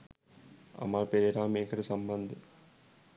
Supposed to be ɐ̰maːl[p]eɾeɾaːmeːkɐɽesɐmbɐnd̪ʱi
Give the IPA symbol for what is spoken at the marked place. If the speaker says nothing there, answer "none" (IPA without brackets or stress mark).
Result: p